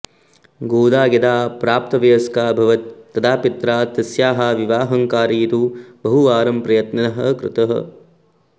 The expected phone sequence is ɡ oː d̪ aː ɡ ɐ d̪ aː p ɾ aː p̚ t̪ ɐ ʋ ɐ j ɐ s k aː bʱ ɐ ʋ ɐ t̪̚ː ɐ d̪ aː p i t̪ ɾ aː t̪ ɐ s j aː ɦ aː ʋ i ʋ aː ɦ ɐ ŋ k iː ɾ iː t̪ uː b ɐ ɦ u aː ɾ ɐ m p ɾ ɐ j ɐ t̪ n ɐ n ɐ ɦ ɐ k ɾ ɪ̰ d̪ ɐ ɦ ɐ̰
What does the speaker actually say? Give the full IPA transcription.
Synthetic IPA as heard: ɡ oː d̪ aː ɡ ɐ d̪ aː p ɾ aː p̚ t̪ ɐ ʋ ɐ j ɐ s k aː bʱ ɐ ʋ ɐ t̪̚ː ɐ d̪ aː p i t̪ ɾ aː t̪ ɐ s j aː ɦ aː ʋ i ʋ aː ɦ ɐ ŋ k aː ɾ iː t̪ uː b ɐ ɦ u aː ɾ ɐ m p ɾ ɐ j ɐ t̪ n ɐ n ɐ ɦ ɐ k ɾ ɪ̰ t̪ ɐ ɦ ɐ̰